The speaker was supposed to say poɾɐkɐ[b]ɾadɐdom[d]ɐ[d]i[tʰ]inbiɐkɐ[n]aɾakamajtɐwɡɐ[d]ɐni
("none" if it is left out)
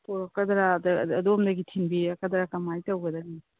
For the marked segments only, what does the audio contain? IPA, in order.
d, d, ɡ, tʰ, d, d

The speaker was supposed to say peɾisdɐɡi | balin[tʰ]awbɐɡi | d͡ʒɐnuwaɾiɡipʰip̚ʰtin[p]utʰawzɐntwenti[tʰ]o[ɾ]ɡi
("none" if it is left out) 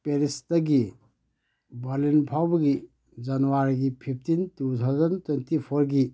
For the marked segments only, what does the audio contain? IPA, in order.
pʰ, t, pʰ, ɾ

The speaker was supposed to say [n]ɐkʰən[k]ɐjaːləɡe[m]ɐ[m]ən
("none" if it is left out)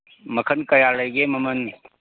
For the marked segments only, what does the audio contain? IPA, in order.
m, k, m, m

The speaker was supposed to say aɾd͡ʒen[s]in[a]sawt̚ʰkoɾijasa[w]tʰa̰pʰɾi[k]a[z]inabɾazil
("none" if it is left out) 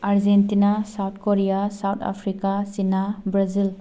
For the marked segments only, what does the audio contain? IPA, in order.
t, a, w, k, s

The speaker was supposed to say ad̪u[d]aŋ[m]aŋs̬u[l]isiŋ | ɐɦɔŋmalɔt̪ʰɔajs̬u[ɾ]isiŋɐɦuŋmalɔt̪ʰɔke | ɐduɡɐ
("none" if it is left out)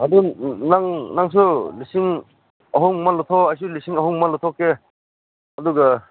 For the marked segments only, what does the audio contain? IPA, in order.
n, n, l, l

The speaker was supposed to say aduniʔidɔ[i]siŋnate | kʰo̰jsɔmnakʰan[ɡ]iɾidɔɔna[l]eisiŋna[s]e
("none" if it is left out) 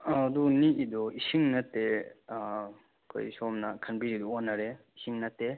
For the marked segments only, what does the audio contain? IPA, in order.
i, b, ɾ, t

